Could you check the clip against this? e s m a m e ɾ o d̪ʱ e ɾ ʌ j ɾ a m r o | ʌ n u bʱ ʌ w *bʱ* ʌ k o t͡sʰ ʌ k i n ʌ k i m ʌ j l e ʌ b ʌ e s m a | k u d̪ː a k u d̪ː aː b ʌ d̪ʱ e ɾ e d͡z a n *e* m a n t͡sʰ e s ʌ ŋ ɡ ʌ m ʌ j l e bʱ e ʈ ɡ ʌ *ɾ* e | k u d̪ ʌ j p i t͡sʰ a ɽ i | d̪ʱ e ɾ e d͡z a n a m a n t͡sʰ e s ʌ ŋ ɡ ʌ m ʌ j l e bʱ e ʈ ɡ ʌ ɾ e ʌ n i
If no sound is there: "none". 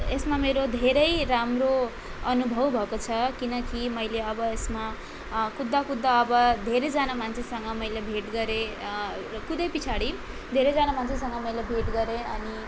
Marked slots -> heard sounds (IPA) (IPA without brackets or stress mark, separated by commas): bʱ, a, ɾ